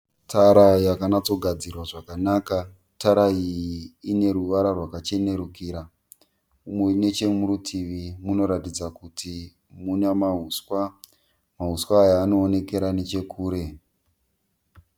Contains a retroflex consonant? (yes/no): yes